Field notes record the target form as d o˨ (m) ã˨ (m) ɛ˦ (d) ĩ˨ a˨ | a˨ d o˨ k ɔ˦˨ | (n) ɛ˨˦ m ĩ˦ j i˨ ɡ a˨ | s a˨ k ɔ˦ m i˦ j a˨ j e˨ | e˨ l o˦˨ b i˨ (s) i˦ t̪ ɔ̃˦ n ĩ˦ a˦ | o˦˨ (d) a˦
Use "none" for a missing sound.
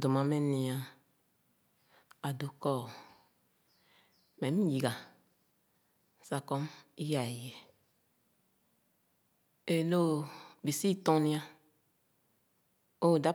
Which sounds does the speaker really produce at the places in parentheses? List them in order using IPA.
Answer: m, m, n, m, s, d

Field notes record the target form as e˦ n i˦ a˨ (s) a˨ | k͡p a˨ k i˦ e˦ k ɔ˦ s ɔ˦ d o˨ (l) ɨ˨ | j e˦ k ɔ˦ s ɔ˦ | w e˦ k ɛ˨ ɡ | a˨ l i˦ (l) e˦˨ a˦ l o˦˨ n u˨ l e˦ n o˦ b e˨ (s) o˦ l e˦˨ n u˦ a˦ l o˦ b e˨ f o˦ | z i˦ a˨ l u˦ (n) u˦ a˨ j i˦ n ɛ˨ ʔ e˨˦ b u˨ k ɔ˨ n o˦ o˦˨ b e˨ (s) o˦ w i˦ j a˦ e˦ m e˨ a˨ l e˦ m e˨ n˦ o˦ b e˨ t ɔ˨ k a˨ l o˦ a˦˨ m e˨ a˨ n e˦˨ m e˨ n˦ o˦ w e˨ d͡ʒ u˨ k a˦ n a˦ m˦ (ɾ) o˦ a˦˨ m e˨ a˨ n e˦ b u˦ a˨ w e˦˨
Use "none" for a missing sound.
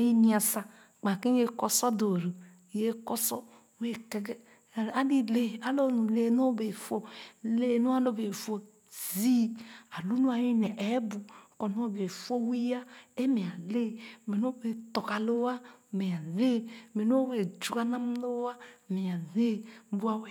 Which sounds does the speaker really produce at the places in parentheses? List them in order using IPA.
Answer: s, ɾ, l, f, n, f, l

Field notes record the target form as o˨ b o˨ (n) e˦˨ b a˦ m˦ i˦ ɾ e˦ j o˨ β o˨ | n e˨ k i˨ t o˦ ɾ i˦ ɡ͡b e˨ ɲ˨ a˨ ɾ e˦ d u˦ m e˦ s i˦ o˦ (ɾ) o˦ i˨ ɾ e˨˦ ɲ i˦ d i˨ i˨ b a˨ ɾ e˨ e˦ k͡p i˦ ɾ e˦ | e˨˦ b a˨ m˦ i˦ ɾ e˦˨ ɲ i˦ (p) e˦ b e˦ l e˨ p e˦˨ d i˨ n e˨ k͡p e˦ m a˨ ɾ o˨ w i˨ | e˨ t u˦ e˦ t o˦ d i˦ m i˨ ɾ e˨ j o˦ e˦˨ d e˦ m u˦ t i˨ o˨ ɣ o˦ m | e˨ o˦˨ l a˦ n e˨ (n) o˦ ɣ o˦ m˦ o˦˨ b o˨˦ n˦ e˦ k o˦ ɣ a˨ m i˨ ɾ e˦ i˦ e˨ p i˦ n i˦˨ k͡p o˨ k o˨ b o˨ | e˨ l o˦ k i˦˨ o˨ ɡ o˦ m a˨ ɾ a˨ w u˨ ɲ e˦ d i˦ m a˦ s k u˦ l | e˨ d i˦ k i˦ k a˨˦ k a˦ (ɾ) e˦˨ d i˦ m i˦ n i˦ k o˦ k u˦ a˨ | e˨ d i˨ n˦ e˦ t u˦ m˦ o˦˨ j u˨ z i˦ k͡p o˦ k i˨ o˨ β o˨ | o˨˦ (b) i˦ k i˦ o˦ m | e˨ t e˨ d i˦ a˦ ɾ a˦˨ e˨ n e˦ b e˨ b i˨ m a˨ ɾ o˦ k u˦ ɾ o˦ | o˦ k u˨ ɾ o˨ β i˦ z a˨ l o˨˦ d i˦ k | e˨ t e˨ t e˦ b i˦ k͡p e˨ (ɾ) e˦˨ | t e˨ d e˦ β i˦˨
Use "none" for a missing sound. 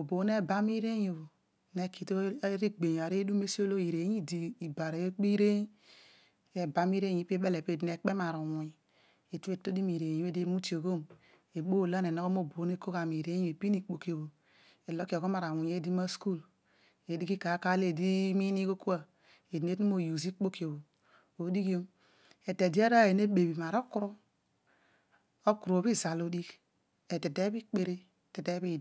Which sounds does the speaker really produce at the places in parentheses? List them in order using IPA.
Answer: n, l, p, n, l, d, ɾ

